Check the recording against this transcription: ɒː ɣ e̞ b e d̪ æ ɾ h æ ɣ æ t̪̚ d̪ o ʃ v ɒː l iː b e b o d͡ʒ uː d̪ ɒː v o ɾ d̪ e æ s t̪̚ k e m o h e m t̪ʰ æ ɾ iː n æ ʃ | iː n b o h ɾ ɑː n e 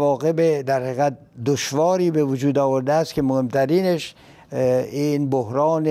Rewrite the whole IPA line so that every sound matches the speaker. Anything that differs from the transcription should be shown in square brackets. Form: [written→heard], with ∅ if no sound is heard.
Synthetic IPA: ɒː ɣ e̞ b e d̪ æ ɾ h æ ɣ æ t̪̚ d̪ o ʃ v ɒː [l→ɾ] iː b e [b→v] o d͡ʒ uː d̪ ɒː v o ɾ d̪ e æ s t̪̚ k e m o h e m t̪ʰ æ ɾ iː n [æ→e] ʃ | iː n b o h ɾ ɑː n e